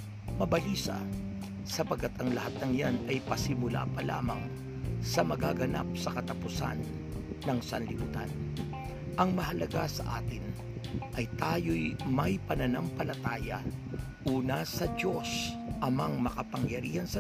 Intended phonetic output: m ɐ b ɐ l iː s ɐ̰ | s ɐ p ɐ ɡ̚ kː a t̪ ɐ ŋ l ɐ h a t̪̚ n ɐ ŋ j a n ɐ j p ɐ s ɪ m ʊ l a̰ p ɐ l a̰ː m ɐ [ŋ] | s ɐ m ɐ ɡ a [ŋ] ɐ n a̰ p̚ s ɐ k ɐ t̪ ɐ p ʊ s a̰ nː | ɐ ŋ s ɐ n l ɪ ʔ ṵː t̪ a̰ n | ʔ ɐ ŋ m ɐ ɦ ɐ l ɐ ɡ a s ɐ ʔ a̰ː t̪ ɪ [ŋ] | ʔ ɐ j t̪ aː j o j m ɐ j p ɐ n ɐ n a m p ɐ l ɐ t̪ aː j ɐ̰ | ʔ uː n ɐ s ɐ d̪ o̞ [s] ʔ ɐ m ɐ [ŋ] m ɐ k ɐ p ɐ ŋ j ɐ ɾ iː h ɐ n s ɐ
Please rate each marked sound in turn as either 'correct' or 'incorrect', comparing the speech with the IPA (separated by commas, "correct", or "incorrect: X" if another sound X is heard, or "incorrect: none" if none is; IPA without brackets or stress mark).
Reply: correct, incorrect: ɡ, incorrect: n, correct, correct